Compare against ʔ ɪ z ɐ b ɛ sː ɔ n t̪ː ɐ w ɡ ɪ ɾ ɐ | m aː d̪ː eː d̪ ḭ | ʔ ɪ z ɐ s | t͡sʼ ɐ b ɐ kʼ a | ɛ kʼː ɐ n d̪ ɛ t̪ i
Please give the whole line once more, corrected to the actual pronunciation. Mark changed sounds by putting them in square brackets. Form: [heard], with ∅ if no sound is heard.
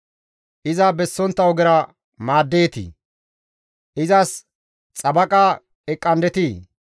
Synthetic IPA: ʔ ɪ z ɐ b ɛ sː ɔ n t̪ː ɐ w ɡ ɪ ɾ ɐ | m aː d̪ː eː [t̪] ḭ | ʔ ɪ z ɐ s | t͡sʼ ɐ b ɐ kʼ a | ɛ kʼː ɐ n d̪ ɛ t̪ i